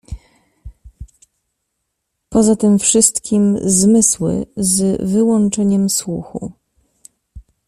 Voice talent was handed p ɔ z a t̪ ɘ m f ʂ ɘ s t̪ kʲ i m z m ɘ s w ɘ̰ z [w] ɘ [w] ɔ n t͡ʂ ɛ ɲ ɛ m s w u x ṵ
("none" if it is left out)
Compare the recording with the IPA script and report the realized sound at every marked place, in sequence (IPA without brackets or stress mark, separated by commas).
v, w